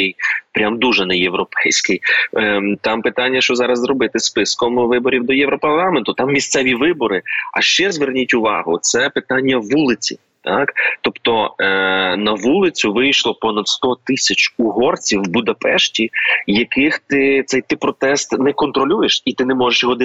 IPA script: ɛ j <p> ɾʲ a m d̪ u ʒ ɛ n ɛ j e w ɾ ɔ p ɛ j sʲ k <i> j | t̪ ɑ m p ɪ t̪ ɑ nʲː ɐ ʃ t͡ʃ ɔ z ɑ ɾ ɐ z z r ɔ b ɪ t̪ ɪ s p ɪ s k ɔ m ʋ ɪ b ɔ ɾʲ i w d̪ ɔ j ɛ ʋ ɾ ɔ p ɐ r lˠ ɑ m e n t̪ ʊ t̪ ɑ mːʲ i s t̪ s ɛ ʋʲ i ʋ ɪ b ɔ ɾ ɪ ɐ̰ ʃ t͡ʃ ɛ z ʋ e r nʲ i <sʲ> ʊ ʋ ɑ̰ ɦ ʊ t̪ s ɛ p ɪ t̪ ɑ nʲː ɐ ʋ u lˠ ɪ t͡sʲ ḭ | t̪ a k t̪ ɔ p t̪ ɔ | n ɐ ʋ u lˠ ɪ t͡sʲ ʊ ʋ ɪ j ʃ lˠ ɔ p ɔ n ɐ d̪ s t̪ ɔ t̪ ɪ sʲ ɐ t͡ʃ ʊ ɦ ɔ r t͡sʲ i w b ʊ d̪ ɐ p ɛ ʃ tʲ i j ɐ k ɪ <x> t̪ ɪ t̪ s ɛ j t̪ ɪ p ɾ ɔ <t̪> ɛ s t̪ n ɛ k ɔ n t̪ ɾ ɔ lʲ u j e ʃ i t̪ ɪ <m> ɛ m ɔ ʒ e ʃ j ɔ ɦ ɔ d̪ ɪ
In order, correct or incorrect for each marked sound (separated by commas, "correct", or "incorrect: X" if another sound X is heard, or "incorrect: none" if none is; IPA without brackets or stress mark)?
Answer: correct, incorrect: ɪ, incorrect: tʲ, correct, correct, incorrect: n